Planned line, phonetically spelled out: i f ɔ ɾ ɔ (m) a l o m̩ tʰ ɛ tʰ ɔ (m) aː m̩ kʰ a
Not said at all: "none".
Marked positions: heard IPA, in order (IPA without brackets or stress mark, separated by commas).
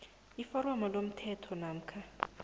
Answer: m, n